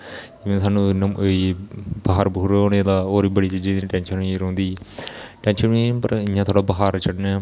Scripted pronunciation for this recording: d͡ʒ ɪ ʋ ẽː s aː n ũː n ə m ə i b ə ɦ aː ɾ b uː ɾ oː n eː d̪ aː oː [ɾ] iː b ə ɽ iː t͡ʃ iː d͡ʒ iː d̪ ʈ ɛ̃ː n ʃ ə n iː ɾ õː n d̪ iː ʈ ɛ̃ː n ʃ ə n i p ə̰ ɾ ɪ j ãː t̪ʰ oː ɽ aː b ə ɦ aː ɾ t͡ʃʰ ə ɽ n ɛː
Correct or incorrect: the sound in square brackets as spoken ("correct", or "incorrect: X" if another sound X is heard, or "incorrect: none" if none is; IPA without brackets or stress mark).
correct